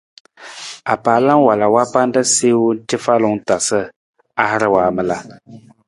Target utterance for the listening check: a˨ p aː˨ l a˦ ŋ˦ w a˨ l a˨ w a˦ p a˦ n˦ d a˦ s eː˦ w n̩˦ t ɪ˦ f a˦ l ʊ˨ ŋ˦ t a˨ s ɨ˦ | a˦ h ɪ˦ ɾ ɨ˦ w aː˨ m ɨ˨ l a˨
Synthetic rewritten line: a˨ p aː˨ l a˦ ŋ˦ w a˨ l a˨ w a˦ p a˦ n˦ d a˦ s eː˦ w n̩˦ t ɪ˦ f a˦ l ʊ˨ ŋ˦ t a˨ s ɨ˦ | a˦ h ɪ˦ ɾ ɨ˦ w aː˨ m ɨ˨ l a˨